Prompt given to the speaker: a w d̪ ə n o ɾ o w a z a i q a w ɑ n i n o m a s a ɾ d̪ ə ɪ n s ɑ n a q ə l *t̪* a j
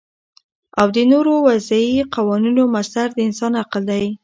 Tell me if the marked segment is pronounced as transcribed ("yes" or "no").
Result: no